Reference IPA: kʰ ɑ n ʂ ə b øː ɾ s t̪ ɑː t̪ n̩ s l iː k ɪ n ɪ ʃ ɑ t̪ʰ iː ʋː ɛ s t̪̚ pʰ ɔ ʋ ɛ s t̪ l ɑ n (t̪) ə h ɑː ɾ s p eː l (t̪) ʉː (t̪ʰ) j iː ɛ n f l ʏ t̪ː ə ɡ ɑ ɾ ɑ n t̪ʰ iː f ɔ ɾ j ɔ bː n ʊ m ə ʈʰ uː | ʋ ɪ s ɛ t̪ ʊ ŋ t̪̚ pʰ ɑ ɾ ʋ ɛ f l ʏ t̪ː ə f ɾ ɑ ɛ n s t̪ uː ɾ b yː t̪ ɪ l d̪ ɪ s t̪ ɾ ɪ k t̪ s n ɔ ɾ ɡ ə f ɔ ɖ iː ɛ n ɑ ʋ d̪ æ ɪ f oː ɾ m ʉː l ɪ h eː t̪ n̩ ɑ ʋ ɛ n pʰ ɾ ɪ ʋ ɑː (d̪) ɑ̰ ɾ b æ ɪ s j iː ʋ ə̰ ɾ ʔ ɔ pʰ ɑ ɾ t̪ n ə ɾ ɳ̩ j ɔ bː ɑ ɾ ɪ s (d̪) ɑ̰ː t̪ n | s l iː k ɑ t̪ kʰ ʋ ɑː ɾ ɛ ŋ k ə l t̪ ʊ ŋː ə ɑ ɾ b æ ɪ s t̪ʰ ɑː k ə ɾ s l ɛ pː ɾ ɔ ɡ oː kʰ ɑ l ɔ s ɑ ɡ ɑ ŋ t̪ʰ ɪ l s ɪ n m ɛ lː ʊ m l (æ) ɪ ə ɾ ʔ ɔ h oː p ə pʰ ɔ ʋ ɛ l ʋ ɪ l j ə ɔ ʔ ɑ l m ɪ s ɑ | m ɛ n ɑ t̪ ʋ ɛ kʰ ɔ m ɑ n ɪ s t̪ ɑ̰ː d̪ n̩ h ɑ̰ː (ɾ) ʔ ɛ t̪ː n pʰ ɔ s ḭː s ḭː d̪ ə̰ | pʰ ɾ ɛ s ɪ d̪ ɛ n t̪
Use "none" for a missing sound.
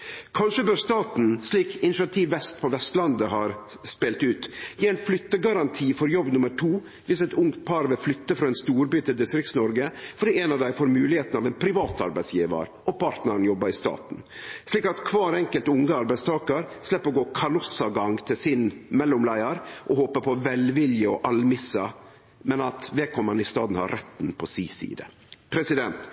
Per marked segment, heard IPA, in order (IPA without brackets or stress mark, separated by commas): d̪, t̪, t̪, t̪, t̪, æ, ɾ